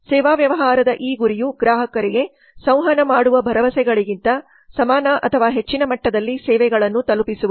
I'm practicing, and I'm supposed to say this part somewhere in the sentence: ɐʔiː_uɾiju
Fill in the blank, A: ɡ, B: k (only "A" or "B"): A